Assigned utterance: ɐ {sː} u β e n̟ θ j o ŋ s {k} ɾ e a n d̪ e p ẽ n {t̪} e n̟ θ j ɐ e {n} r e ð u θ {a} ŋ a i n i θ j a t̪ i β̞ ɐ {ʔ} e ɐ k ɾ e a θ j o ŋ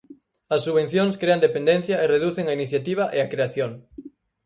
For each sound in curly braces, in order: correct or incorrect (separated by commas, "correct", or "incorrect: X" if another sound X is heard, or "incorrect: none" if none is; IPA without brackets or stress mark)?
correct, correct, incorrect: d̪, incorrect: none, incorrect: e, correct